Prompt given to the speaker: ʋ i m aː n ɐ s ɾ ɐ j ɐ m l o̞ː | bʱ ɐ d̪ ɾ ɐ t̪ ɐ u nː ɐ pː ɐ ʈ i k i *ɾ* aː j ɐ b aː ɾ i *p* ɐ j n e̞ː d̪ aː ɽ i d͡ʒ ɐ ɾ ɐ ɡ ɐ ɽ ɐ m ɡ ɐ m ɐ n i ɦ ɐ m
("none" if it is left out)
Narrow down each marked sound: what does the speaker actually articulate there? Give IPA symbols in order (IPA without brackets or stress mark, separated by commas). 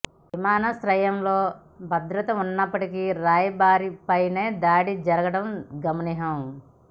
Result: ɾ, p